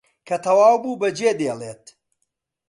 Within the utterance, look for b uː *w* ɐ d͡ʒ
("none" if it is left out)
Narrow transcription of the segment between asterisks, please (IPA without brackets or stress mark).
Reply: b